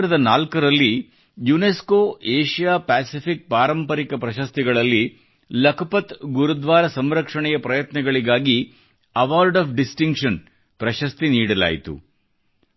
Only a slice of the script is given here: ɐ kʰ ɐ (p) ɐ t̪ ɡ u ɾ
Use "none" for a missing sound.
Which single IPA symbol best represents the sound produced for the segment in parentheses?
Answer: p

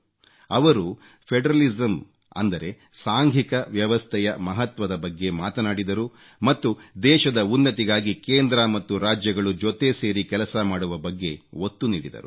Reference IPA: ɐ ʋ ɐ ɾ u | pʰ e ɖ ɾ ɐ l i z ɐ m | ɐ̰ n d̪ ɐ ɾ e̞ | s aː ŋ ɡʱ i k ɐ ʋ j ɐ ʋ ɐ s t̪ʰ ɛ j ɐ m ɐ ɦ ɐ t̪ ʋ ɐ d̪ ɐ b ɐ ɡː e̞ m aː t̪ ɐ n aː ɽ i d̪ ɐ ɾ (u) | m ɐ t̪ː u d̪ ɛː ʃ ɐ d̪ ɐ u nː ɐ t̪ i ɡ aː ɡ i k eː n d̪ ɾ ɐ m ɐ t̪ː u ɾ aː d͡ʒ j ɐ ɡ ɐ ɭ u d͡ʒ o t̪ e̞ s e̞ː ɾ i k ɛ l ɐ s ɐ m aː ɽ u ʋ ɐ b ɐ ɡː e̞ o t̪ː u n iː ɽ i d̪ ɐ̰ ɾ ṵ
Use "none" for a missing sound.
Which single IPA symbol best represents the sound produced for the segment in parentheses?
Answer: u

